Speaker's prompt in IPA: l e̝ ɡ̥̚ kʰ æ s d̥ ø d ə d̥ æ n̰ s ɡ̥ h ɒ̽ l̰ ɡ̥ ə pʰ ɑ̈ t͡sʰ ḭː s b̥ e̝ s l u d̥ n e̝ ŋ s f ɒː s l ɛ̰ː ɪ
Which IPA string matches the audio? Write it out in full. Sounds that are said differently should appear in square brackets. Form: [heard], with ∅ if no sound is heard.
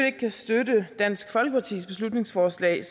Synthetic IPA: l e̝ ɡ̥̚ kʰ æ s d̥ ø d ə d̥ æ n̰ s ɡ̥ [f] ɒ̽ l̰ ɡ̥ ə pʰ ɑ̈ t͡sʰ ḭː s b̥ e̝ s l u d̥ n e̝ ŋ s f ɒː s l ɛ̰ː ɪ